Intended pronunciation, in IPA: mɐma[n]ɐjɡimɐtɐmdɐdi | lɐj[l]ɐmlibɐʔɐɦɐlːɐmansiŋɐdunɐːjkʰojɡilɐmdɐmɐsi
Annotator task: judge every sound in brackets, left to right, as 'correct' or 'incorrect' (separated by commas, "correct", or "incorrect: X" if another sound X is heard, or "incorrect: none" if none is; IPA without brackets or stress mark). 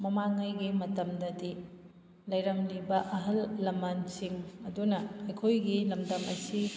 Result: incorrect: ŋ, incorrect: ɾ